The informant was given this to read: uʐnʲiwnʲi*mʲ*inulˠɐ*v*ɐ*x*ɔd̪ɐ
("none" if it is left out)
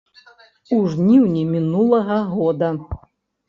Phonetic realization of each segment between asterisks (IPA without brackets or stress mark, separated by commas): mʲ, ɣ, ɣ